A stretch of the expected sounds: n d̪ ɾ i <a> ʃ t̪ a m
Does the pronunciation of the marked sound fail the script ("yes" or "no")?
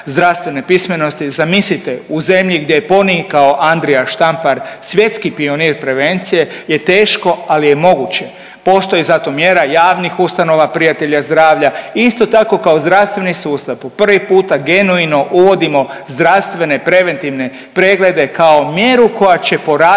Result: no